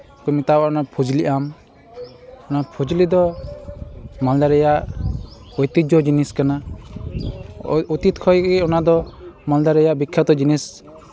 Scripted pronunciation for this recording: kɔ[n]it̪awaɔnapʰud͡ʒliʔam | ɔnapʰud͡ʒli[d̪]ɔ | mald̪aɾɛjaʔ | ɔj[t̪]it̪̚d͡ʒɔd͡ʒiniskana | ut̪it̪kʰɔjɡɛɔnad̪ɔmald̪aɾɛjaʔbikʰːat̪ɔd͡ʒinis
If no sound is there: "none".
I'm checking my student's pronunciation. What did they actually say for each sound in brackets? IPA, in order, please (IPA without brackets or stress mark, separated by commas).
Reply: m, d̪, t̪